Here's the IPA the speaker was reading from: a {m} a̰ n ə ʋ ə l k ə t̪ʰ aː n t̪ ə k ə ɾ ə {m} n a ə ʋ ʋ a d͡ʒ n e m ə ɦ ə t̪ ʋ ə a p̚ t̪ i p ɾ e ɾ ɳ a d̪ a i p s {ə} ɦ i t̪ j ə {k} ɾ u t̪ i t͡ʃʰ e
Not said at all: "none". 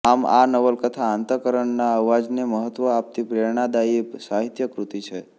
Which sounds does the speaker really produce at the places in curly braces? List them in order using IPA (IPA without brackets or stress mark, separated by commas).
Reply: m, ɳ, a, k